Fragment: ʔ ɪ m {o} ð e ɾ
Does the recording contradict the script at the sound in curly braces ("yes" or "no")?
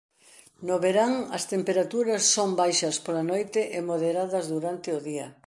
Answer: no